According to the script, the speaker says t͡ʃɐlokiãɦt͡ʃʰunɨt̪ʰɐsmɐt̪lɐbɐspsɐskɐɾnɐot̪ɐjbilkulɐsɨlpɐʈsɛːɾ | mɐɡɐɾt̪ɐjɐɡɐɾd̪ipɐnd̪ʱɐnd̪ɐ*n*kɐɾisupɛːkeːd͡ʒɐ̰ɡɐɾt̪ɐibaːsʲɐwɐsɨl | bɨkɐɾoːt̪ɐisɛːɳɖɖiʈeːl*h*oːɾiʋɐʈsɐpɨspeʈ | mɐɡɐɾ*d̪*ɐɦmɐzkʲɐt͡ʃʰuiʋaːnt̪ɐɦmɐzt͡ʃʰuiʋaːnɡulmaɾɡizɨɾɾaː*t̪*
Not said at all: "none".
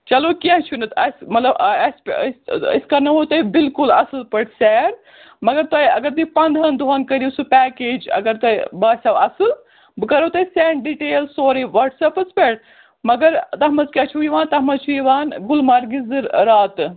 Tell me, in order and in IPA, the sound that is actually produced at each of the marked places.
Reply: n, s, t̪, t̪

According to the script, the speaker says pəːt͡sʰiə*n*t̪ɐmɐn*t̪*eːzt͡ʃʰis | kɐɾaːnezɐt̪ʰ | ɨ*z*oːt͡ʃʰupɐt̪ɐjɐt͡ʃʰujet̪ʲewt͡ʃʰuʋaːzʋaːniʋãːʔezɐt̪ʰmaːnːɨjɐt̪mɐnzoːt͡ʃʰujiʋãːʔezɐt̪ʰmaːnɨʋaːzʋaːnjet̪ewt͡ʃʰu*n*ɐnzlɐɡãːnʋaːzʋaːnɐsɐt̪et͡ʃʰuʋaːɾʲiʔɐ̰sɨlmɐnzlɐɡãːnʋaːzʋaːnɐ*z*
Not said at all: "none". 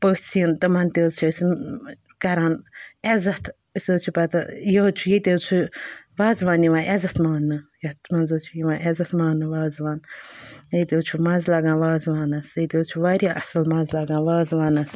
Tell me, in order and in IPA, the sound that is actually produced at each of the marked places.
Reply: n, t̪, s, m, s

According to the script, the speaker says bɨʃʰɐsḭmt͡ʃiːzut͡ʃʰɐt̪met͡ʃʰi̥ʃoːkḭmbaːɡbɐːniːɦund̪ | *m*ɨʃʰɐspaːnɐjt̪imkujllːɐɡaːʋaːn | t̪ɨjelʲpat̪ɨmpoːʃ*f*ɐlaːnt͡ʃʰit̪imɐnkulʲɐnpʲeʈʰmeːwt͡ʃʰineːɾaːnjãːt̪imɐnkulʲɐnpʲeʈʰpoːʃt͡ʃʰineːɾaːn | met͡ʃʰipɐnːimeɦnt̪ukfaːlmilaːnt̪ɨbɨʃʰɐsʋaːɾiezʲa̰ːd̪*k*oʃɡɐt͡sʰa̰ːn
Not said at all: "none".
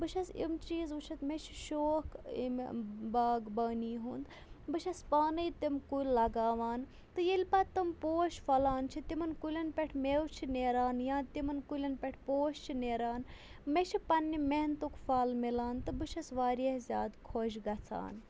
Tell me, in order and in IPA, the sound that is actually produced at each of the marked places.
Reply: b, f, kʰ

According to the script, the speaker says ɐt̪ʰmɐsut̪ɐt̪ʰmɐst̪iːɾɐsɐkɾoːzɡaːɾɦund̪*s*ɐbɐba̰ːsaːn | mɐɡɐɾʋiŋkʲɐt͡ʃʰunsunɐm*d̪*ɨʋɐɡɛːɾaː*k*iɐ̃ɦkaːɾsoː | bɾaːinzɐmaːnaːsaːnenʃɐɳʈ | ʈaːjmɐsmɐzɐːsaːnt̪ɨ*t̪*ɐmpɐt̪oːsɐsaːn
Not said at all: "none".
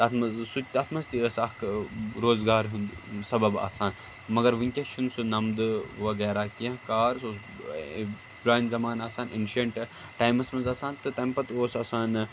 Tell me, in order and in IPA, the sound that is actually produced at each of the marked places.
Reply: s, d̪, k, t̪

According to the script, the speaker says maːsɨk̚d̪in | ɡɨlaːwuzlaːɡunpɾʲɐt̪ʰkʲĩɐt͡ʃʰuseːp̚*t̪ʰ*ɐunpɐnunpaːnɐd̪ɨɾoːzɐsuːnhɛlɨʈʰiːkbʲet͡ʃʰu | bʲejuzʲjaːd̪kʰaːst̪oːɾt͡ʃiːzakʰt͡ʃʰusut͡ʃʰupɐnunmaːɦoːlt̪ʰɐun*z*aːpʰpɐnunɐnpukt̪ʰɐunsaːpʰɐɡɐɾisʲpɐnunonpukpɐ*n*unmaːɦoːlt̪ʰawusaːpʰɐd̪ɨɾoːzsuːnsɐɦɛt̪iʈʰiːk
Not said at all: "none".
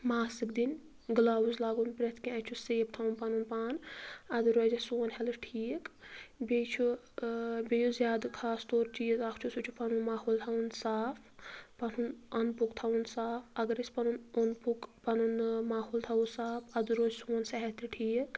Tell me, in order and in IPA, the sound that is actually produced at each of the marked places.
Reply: t̪ʰ, s, n

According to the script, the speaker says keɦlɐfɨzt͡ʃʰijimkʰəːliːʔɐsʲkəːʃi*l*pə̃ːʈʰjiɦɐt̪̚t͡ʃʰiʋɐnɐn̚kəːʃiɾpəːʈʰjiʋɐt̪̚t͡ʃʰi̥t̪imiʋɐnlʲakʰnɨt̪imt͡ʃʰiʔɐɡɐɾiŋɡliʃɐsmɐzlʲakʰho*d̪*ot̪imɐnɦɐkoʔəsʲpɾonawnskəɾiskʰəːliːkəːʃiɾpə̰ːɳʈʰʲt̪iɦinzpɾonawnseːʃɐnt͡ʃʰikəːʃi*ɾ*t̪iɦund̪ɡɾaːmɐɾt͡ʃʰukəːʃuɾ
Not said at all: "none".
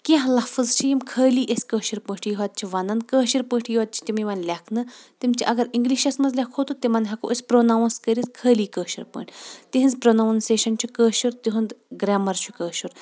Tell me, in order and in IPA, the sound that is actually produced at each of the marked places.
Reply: ɾ, t̪, ɾ

